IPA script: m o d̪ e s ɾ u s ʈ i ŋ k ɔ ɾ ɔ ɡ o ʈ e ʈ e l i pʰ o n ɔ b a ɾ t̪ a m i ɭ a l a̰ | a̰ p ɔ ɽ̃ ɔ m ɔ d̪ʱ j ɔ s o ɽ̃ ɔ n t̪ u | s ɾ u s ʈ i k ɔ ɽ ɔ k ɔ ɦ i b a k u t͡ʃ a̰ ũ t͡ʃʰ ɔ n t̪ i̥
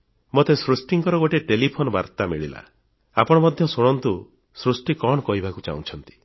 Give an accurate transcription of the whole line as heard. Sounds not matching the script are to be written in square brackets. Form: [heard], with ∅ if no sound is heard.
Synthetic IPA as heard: m o [t̪] e s ɾ u s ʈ i ŋ k ɔ ɾ ɔ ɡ o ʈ e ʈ e l i pʰ o n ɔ b a ɾ t̪ a m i ɭ [i] l a̰ | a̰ p ɔ ɽ̃ ɔ m ɔ d̪ʱ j ɔ s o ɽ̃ ɔ n t̪ u | s ɾ u s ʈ i k ɔ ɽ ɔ k ɔ ɦ i b a k u t͡ʃ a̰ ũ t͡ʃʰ ɔ n t̪ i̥

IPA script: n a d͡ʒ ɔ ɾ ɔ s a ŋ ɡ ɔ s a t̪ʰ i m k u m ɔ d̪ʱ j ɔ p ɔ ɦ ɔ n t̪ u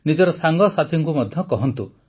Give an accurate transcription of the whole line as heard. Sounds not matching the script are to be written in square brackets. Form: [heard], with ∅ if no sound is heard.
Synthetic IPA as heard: n [i] d͡ʒ ɔ ɾ ɔ s a ŋ ɡ ɔ s a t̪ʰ i [ŋ] k u m ɔ d̪ʱ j ɔ [k] ɔ ɦ ɔ n t̪ u

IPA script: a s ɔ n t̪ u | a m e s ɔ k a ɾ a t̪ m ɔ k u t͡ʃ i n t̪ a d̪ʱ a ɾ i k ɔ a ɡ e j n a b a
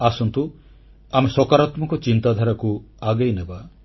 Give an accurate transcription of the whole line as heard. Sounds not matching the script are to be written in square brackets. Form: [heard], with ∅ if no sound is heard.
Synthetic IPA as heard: a s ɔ n t̪ u | a m e s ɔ k a ɾ a t̪ m ɔ k [ɔ] t͡ʃ i n t̪ a d̪ʱ a ɾ [a] k [u] a ɡ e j n [e] b a

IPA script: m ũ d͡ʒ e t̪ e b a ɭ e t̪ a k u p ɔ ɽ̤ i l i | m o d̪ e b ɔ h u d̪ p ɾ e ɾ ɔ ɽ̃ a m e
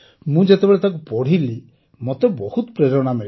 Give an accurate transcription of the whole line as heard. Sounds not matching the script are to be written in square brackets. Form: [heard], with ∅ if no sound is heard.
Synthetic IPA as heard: m ũ d͡ʒ e t̪ e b [e] ɭ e t̪ a k u p ɔ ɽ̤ i l i | m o [t̪] e b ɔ h u [t̪] p ɾ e ɾ ɔ ɽ̃ a m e

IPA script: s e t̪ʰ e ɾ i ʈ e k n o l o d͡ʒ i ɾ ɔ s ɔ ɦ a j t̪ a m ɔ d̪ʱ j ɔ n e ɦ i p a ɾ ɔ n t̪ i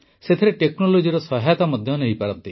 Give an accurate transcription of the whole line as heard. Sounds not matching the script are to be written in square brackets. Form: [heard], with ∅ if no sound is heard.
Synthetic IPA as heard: s e t̪ʰ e ɾ [e] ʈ e k n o l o d͡ʒ i ɾ ɔ s ɔ ɦ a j t̪ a m ɔ d̪ʱ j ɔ n e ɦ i p a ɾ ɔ n t̪ i

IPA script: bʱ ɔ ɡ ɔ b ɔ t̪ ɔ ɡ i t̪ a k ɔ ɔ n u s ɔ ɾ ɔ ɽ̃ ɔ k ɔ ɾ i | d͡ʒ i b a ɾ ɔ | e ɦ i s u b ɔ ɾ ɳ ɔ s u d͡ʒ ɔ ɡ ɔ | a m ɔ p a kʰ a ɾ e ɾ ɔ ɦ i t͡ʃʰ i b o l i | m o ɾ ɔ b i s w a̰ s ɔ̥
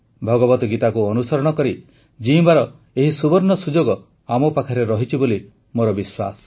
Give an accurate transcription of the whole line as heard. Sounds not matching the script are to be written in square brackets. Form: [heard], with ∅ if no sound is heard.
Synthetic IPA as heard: bʱ ɔ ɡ ɔ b ɔ t̪ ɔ ɡ i t̪ a k [u] ɔ n u s ɔ ɾ ɔ ɽ̃ ɔ k ɔ ɾ i | d͡ʒ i b a ɾ ɔ | e ɦ i s u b ɔ ɾ [n] ɔ s u d͡ʒ [o] ɡ ɔ | a m ɔ p a kʰ a ɾ e ɾ ɔ ɦ i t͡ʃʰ i b o l i | m o ɾ ɔ b i s w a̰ s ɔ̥

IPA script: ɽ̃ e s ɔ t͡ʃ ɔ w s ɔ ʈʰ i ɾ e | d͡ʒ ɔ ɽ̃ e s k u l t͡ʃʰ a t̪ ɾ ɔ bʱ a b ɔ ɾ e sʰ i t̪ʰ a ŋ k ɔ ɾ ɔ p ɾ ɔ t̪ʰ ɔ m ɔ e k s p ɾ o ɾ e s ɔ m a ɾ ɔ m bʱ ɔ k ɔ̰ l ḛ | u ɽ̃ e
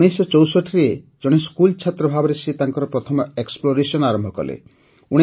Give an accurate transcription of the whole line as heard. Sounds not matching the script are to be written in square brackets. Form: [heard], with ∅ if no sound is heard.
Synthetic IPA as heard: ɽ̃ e s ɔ t͡ʃ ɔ w s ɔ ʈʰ i ɾ e | d͡ʒ ɔ ɽ̃ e s k u l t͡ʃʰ a t̪ ɾ ɔ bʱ a b ɔ ɾ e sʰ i [t̪] a ŋ k ɔ ɾ ɔ p ɾ ɔ t̪ʰ ɔ m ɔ e k s p [l] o ɾ e s ɔ [n] a ɾ ɔ m bʱ ɔ k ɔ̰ l ḛ | u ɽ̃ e

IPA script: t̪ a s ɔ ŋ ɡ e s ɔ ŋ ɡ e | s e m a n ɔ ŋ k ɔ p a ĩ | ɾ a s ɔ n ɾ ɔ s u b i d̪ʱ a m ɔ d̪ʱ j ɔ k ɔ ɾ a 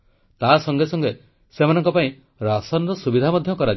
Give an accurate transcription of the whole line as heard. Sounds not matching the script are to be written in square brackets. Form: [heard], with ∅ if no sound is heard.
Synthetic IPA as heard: t̪ a s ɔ ŋ ɡ e s ɔ ŋ ɡ e | s e m a n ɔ ŋ k ɔ p a ĩ | ɾ a s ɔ n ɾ ɔ s u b i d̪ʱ a m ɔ d̪ʱ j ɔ k ɔ ɾ a

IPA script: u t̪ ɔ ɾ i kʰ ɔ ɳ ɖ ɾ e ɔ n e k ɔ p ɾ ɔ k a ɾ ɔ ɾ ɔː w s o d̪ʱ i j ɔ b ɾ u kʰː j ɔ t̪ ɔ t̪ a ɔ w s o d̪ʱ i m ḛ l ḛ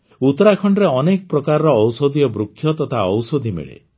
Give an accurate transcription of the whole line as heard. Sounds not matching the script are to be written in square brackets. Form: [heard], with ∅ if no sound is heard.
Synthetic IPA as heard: u t̪ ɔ ɾ [a] kʰ ɔ ɳ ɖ ɾ e ɔ n e k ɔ p ɾ ɔ k a ɾ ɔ ɾ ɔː w s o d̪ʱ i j ɔ b ɾ u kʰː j ɔ t̪ ɔ [t̪ʰ] a ɔ w s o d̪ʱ i m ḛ [ɭ] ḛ

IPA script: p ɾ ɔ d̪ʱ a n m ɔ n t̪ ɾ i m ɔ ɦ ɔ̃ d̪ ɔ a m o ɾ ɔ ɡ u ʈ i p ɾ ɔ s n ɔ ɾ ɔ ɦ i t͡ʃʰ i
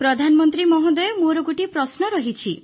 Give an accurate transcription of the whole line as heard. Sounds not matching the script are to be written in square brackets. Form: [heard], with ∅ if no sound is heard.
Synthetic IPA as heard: p ɾ ɔ d̪ʱ a n m ɔ n t̪ ɾ i m ɔ ɦ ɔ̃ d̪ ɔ [e] m o ɾ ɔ ɡ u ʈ i p ɾ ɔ s n ɔ ɾ ɔ ɦ i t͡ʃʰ i

